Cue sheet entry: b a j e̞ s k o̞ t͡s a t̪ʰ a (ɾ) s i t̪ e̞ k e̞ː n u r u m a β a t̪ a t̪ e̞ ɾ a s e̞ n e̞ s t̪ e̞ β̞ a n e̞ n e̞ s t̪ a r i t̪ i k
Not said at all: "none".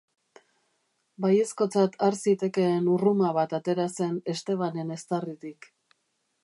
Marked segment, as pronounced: ɾ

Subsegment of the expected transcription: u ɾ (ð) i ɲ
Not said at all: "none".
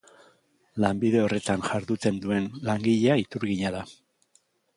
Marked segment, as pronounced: ɣ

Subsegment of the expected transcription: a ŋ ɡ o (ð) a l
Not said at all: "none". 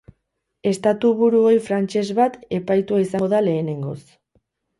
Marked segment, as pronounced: ð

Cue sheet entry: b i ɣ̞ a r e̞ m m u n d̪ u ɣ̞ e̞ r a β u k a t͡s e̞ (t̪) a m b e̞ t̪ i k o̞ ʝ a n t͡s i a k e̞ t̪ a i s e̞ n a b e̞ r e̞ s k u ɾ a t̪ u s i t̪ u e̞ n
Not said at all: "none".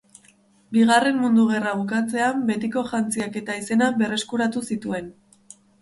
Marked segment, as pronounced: none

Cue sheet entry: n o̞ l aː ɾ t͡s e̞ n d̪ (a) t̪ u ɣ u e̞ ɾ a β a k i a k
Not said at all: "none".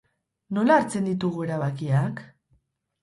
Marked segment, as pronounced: i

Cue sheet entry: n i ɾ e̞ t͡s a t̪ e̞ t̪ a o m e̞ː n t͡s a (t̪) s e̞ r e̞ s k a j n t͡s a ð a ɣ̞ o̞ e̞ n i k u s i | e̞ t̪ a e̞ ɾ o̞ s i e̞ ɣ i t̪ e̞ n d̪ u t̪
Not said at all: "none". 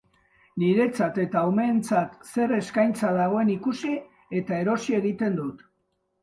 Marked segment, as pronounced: t̪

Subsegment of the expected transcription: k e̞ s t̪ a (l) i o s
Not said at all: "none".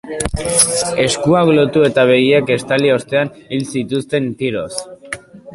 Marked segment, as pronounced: l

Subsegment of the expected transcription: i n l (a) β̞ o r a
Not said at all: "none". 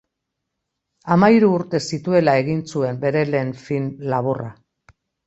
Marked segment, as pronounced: a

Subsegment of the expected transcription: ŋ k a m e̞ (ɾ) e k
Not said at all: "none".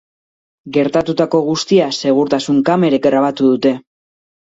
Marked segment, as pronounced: ɾ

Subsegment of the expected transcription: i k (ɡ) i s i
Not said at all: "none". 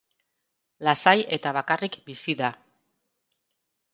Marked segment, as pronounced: b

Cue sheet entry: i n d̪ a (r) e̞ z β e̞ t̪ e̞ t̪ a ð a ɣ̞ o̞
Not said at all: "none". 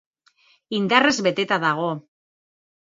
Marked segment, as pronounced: r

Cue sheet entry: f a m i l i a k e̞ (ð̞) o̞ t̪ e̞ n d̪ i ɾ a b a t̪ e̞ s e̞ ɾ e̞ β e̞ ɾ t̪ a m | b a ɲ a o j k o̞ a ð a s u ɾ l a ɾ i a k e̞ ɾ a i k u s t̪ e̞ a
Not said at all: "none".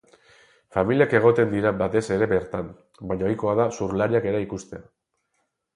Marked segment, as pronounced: ɣ̞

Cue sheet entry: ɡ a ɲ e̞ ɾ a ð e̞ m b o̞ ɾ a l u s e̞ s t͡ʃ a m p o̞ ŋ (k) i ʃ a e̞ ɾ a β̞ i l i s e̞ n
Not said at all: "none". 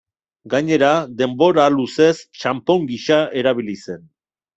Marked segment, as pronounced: ɡ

